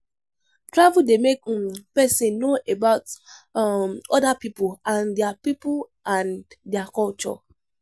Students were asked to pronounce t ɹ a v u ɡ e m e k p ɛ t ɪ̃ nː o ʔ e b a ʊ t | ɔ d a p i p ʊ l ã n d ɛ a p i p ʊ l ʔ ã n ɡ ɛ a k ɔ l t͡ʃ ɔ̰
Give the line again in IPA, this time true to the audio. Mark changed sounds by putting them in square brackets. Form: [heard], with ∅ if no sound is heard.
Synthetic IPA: t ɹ a v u [d] e m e k p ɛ [s] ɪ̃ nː o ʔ e b a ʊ t | ɔ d a p i p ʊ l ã n d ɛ a p i p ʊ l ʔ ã n [d] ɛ a k ɔ l t͡ʃ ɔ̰